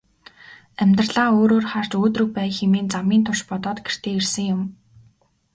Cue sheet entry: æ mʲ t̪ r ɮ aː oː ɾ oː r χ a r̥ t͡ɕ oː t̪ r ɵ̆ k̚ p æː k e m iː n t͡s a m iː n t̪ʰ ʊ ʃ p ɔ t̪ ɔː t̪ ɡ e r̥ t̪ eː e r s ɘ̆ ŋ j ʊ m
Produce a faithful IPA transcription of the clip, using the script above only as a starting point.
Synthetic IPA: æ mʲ t̪ r ɮ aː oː ɾ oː r χ a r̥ t͡ɕ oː t̪ r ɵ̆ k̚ p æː x e m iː n t͡s a m iː n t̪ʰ ʊ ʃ p ɔ t̪ ɔː t̪ ɡ e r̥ t̪ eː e r s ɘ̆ ŋ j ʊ m